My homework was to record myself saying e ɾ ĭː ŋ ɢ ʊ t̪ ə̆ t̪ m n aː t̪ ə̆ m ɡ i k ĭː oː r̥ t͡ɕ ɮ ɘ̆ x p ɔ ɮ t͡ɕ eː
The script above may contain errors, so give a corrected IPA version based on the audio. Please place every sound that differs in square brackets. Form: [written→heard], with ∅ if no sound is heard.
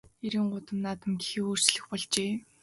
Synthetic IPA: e ɾ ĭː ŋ ɢ ʊ t̪ ə̆ [t̪→∅] m n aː t̪ ə̆ m ɡ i [k→x] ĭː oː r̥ t͡ɕ ɮ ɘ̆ x p ɔ ɮ t͡ɕ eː